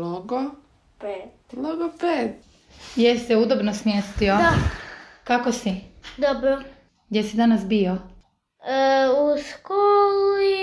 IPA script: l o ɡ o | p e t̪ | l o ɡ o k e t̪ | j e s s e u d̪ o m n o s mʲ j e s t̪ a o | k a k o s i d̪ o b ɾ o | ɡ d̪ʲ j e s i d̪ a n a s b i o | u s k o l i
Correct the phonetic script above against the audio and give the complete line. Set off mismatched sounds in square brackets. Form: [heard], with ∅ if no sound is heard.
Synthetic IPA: l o ɡ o | p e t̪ | l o ɡ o [p] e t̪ | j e s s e u d̪ o [b] n o s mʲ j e s t̪ [i] o | k a k o s i d̪ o b ɾ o | ɡ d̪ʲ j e s i d̪ a n a s b i o | u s k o l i